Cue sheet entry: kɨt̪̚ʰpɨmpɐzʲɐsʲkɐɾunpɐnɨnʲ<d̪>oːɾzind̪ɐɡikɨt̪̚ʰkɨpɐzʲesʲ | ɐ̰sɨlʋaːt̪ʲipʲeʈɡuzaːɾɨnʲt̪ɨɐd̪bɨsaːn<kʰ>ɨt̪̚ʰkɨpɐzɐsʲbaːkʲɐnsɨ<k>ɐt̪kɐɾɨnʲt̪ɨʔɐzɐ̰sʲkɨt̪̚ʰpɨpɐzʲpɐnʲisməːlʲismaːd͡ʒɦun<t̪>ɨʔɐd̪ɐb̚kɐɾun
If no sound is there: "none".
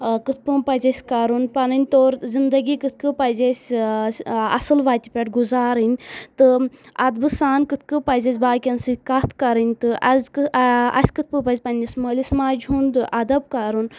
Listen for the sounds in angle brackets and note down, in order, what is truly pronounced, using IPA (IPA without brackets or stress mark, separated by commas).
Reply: t̪, k, k, d̪